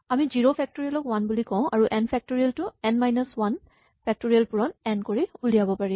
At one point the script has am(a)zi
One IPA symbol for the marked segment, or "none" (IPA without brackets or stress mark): i